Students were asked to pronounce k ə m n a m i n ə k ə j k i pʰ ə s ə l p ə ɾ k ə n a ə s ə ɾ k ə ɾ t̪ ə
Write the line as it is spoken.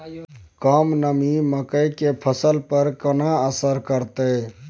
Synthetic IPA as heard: k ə m n ə m i m ə k ə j k e pʰ ə s ə l p ə ɾ k ə n a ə s ə ɾ k ə ɾ t̪ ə

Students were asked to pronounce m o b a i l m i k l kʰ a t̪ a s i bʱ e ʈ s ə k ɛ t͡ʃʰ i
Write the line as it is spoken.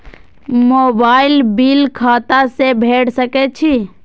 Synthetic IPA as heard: m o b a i l b i l kʰ a t̪ a s e bʱ e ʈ s ə k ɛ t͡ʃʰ i

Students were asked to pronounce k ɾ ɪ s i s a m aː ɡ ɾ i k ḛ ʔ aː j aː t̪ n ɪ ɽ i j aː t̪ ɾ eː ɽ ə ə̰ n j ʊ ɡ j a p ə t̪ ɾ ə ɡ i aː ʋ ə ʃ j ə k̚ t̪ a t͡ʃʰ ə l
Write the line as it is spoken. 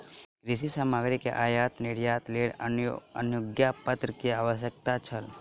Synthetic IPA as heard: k ɾ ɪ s i s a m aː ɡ ɾ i k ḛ ʔ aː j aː t̪ n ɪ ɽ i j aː t̪ l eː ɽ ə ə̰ n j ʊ ɡ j a p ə t̪ ɾ ə k i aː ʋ ə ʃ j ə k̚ t̪ a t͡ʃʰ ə l

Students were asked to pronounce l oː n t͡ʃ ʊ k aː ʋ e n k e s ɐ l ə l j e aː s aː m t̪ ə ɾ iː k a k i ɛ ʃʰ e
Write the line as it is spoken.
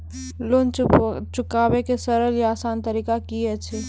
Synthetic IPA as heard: l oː n t͡ʃ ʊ k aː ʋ e k e s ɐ ɾ ə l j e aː s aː n t̪ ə ɾ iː k a k i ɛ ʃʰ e

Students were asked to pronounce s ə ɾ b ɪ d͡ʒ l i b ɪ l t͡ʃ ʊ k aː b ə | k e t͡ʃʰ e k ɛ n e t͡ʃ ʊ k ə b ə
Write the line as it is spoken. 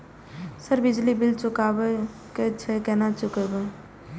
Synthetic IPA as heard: s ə ɾ b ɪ d͡ʒ l i b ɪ l t͡ʃ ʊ k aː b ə | k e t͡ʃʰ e k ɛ n a t͡ʃ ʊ k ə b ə

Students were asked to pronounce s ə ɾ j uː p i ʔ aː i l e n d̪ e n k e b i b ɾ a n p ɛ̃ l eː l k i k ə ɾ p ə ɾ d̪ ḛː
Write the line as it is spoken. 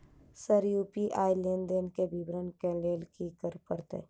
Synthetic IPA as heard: s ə ɾ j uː p i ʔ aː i l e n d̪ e n k e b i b ɾ ə n k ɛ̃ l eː l k i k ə ɾ p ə ɾ t̪ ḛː

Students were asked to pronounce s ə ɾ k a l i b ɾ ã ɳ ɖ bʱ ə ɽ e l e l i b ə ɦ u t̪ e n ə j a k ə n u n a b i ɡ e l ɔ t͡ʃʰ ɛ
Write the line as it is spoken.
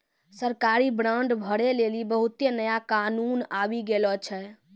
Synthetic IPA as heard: s ə ɾ k a ɾ i b ɾ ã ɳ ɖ bʱ ə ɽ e l e l i b ə ɦ u t̪ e n ə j a k a n u n a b i ɡ e l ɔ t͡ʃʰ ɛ

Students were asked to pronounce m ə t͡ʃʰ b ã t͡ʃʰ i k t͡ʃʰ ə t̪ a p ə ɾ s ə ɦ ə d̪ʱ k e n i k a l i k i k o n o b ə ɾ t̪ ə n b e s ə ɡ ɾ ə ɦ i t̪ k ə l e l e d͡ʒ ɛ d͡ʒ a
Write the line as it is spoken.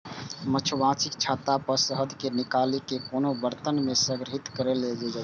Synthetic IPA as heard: m ə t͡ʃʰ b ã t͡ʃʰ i k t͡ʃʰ a t̪ a p ə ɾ s ə ɦ ə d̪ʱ k e n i k a l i k e k o n o b ə ɾ t̪ ə n m e s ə ɡ ɾ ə ɦ i t̪ k ə ɾ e l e d͡ʒ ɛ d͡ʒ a

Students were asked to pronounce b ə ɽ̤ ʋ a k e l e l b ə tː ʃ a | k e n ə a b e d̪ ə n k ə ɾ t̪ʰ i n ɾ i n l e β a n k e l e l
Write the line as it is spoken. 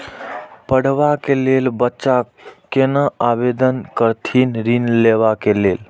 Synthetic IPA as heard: p ə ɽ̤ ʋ a k e l e l b ə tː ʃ a | k e n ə a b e d̪ ə n k ə ɾ t̪ʰ i n ɾ i n l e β a k e l e l

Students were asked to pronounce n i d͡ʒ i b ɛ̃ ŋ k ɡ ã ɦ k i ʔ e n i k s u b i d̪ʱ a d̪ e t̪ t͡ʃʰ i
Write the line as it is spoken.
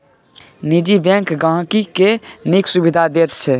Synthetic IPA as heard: n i d͡ʒ i b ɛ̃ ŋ k ɡ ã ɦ k i k e n i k s u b i d̪ʱ a d̪ e t̪ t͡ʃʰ ɛ

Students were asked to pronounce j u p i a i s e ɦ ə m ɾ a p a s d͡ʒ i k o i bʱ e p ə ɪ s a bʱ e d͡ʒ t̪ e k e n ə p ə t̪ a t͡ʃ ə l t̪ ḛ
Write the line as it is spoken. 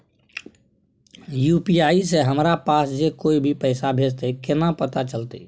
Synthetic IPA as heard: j u p i a i s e ɦ ə m ɾ a p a s d͡ʒ e k o i bʱ i p ə ɪ s a bʱ e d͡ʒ t̪ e k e n a p ə t̪ a t͡ʃ ə l t̪ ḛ

